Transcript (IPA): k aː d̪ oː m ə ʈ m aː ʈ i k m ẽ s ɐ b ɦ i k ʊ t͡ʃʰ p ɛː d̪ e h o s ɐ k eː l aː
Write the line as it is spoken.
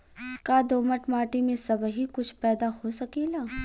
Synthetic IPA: k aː d̪ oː m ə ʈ m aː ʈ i m ẽ s ɐ b ɦ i k ʊ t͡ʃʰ p ɛː d̪ a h o s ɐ k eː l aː

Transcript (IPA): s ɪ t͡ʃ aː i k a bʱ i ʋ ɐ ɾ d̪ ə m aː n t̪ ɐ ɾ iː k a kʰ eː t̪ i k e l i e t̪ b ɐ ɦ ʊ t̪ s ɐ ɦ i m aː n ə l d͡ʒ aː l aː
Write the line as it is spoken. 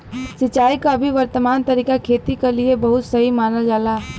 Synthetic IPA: s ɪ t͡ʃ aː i k a bʱ i ʋ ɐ ɾ t̪ ə m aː n t̪ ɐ ɾ iː k a kʰ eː t̪ i k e l i e b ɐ ɦ ʊ t̪ s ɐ ɦ i m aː n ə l d͡ʒ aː l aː

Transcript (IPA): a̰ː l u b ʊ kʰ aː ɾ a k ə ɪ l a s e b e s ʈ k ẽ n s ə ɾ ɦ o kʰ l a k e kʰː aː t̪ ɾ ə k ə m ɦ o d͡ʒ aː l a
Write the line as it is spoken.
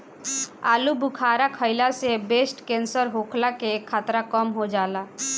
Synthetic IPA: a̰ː l u b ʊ kʰ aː ɾ a kʰ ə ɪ l a s e b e s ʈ k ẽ n s ə ɾ ɦ o kʰ l a k e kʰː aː t̪ ɾ a k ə m ɦ o d͡ʒ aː l a

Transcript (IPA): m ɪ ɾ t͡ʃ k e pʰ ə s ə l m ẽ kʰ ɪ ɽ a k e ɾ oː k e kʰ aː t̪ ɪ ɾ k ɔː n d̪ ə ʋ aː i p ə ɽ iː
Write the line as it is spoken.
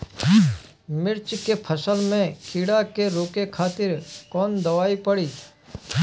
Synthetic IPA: m ɪ ɾ t͡ʃ k e pʰ ə s ə l m ẽ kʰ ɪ ɽ a k e ɾ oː k e kʰ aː t̪ ɪ ɾ k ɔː n d̪ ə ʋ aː i p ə ɽ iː

